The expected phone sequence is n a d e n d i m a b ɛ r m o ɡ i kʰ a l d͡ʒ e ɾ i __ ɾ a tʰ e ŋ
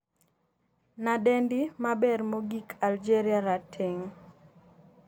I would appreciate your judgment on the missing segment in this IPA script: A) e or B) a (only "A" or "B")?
B